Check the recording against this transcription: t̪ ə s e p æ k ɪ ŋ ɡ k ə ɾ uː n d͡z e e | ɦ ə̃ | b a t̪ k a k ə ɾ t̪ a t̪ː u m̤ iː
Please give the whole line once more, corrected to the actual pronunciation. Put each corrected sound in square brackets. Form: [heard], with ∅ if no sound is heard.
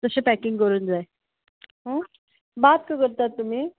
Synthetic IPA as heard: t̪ ə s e p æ k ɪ ŋ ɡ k ə ɾ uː n d͡z [a] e | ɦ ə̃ | b a t̪ k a k ə ɾ t̪ a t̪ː u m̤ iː